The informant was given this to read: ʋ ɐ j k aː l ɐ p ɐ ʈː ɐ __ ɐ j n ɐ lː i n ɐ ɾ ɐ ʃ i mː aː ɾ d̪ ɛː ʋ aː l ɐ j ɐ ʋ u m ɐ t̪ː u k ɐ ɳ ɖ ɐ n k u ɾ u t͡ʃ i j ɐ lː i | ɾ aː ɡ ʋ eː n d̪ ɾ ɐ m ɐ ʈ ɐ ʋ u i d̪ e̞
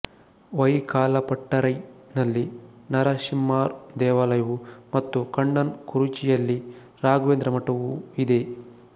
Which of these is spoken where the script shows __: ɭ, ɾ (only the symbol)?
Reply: ɾ